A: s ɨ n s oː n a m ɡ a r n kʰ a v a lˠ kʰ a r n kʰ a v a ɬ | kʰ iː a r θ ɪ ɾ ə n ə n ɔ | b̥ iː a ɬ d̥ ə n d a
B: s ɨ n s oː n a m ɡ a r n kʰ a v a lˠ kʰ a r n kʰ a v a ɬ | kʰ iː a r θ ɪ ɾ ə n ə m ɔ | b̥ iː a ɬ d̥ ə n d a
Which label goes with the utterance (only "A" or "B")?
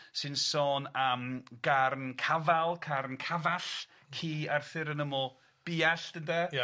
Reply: B